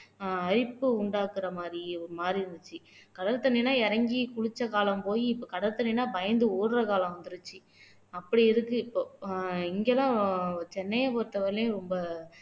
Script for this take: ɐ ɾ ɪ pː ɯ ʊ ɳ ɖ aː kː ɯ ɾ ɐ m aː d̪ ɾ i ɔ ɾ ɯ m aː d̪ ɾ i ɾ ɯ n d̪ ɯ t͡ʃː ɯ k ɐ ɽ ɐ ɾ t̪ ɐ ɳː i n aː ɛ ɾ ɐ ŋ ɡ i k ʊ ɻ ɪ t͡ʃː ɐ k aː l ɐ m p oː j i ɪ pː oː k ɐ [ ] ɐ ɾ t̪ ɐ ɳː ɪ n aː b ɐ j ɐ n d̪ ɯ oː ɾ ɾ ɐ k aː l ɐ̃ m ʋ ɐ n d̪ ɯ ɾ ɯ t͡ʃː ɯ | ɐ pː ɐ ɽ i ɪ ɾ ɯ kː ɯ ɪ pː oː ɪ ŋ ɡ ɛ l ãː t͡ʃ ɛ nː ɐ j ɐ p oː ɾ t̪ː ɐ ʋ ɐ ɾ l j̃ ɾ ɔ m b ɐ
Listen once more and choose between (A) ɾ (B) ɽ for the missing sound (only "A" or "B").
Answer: B